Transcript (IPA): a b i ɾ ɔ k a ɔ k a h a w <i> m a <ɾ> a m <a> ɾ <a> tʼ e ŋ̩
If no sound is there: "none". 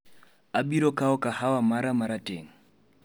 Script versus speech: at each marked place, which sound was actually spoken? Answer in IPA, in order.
a, ɾ, a, a

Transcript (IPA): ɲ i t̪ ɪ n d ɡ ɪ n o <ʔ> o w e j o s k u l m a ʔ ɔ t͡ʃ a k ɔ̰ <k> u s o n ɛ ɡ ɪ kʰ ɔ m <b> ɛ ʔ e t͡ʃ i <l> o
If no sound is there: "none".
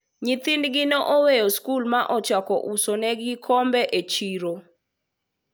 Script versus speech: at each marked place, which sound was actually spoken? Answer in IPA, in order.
ʔ, ʔ, b, ɾ

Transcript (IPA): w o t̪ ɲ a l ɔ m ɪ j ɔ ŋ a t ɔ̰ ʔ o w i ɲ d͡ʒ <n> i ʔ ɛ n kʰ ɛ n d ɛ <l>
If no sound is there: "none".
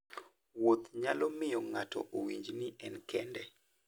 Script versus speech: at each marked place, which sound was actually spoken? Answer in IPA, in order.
n, none

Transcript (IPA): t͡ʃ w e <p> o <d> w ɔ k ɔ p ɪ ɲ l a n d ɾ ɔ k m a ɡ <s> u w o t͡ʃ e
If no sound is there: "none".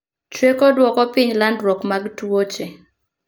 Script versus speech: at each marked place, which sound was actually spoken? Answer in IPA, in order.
k, d, t

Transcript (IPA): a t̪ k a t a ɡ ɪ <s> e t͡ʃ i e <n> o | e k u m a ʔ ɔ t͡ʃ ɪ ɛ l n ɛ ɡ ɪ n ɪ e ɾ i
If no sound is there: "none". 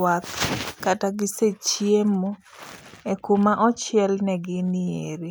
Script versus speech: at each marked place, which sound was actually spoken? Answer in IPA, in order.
s, m

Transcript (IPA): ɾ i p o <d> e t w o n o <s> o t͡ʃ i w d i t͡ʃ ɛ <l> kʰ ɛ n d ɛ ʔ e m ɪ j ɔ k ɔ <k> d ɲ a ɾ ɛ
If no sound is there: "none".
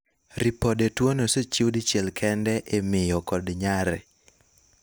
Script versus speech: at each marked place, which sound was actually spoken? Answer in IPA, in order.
d, s, l, none

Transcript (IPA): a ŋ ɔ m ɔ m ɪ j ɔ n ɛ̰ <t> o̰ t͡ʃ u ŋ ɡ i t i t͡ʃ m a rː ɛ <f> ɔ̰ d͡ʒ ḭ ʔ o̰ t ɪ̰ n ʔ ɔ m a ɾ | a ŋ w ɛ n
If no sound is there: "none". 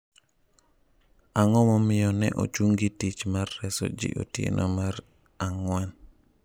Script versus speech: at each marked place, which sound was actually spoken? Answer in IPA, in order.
ʔ, s

